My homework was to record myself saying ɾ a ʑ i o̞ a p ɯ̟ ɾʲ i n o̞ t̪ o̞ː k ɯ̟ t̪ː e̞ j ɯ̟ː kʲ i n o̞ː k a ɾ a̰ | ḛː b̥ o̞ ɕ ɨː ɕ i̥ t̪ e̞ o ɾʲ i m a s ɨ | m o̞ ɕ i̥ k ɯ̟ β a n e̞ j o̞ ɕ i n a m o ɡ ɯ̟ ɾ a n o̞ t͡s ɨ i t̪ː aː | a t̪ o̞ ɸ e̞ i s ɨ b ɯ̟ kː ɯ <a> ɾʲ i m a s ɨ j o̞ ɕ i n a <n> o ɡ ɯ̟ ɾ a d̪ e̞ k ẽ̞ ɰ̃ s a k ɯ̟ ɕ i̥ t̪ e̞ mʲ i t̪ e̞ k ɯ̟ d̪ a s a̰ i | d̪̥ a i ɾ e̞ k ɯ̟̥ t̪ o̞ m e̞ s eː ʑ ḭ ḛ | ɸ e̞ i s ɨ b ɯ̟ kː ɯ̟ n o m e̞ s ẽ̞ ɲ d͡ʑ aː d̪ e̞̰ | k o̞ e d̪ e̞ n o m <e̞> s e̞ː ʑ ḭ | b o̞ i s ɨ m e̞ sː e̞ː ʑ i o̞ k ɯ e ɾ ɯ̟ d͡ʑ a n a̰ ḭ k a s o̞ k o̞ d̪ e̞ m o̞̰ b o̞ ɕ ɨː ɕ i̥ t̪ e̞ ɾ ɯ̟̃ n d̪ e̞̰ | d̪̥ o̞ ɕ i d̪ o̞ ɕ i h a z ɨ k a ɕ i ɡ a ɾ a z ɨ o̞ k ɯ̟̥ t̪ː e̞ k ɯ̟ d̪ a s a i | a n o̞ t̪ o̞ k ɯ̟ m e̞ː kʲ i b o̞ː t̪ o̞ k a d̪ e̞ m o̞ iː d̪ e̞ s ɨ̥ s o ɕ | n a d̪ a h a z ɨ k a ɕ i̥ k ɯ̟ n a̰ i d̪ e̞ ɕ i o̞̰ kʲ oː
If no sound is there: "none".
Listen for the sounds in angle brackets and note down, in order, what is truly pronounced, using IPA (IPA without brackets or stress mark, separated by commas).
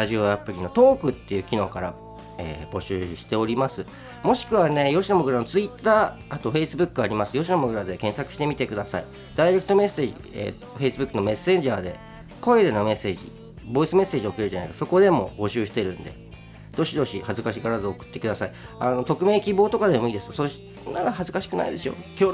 a, m, e̞